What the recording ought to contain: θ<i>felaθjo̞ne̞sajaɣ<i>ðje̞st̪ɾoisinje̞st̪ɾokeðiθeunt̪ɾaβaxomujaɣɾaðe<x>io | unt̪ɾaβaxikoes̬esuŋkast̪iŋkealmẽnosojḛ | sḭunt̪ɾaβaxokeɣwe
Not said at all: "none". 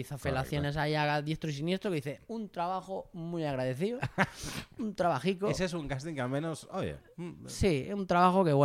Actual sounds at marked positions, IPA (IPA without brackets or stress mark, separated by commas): a, a, θ